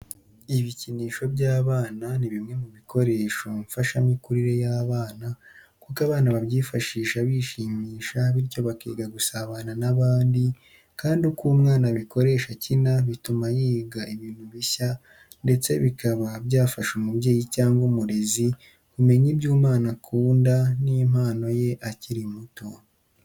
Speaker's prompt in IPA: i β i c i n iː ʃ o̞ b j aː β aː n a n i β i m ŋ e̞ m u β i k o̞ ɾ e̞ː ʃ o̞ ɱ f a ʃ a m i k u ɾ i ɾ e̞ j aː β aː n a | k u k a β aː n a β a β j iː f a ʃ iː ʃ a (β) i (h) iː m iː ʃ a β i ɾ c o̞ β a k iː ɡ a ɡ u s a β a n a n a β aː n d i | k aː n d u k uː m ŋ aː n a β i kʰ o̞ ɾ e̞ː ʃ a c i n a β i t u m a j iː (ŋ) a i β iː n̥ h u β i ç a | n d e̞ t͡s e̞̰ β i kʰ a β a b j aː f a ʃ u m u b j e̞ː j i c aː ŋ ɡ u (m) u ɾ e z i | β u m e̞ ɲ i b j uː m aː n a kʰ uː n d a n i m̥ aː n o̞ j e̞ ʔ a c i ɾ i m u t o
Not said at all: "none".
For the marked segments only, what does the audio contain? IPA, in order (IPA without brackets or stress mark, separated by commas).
β, ʃ, ɡ, m